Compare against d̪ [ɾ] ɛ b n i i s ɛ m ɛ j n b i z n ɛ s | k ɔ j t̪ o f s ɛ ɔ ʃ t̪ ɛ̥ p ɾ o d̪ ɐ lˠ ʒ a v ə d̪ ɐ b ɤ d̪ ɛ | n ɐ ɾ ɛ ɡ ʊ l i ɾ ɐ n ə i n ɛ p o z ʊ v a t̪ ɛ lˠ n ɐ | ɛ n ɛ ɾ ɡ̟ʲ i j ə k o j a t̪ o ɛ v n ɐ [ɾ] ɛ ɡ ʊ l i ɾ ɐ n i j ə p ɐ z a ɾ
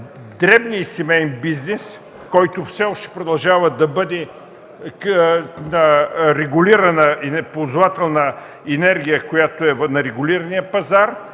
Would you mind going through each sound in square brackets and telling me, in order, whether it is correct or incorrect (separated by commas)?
correct, correct